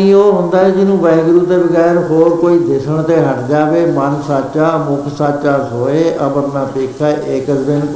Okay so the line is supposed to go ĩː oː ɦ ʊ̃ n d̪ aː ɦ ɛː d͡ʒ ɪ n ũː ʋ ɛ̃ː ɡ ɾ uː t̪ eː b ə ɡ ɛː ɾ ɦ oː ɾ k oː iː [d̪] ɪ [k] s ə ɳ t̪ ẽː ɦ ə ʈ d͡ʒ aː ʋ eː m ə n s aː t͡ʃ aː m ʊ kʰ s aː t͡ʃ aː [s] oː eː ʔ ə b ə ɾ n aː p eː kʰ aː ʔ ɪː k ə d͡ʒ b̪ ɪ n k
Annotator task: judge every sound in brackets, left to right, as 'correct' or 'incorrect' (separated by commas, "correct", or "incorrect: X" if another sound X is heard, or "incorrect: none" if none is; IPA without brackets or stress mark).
correct, incorrect: none, correct